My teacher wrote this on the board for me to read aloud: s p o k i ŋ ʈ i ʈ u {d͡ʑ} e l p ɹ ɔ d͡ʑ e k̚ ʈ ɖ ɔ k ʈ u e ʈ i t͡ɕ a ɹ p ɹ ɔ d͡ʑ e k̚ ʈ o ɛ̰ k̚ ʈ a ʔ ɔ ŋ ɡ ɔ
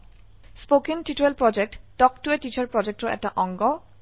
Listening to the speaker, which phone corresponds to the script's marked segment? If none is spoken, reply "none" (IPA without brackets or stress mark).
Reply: none